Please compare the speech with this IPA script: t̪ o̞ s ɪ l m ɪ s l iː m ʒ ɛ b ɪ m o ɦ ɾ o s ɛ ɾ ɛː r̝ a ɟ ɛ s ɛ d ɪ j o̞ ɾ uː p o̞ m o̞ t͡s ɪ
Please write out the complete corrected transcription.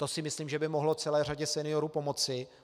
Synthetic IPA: t̪ o̞ s ɪ m ɪ s l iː m ʒ ɛ b ɪ m o ɦ l o t͡s ɛ l ɛː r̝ a ɟ ɛ s ɛ n ɪ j o̞ ɾ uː p o̞ m o̞ t͡s ɪ